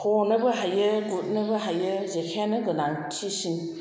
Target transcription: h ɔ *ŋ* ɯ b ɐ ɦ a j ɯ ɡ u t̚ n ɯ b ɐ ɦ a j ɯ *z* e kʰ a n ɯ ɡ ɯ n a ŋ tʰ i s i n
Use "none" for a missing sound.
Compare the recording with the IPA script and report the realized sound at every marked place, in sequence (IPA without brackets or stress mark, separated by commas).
n, z